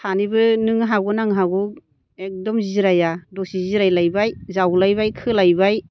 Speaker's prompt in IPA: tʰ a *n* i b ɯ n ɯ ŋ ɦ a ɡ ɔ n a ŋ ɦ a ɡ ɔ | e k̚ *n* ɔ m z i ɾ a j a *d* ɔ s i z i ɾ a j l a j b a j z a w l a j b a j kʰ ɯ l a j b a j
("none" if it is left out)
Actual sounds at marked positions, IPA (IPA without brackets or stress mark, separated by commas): n, d, d